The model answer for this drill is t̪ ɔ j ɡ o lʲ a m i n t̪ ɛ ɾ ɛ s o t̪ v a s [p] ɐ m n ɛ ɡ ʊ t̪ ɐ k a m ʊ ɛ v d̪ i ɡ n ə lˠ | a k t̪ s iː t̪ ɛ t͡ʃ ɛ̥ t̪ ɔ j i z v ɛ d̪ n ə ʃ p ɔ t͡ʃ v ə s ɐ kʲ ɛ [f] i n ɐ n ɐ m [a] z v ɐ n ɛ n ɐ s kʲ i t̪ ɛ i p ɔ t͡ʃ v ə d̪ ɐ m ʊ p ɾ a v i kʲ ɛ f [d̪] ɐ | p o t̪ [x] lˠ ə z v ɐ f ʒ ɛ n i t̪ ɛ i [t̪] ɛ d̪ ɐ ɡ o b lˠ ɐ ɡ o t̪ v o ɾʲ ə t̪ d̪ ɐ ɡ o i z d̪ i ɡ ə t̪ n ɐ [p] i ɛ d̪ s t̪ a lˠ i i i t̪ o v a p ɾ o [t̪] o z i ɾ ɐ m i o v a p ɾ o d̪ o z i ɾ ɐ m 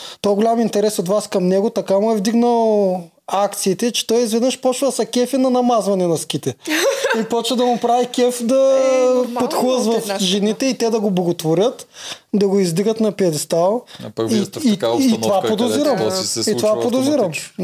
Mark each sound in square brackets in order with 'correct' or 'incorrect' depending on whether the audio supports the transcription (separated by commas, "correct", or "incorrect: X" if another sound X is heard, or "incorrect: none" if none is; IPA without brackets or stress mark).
incorrect: k, correct, correct, correct, correct, correct, correct, incorrect: d̪